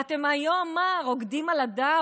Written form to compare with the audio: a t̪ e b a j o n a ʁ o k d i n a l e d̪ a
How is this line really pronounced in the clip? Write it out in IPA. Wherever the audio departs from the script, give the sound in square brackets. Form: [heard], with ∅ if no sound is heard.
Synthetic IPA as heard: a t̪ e [m] a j o [m] a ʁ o [ɡ] d i [m] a l [a] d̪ a